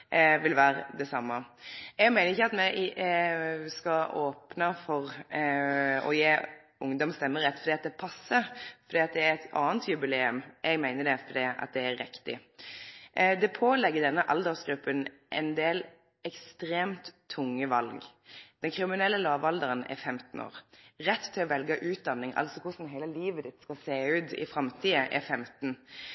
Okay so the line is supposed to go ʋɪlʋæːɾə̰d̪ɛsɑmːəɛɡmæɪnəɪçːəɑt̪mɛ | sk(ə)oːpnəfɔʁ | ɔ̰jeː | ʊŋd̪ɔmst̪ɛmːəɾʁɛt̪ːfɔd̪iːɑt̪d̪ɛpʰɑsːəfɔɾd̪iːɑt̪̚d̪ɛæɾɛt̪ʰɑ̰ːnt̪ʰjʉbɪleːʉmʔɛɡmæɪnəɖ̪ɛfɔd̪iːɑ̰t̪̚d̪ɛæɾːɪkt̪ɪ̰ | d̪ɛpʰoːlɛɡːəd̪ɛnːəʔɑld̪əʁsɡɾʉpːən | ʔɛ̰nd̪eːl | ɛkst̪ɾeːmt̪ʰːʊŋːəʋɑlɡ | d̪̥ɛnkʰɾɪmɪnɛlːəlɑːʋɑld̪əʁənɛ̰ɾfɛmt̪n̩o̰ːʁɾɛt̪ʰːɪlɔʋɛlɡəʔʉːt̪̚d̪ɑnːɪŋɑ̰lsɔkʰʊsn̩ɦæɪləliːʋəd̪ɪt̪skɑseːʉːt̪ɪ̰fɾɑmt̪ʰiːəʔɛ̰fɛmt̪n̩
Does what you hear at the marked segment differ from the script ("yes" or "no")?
yes